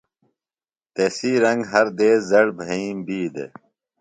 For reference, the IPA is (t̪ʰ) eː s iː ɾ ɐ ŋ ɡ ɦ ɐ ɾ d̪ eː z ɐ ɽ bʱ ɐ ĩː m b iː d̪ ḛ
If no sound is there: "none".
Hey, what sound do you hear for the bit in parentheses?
t̪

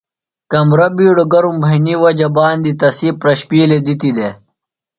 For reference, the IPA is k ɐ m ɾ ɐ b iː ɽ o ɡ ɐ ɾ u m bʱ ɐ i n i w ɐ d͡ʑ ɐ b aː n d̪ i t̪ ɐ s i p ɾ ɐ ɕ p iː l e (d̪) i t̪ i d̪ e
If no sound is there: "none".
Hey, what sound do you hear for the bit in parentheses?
d̪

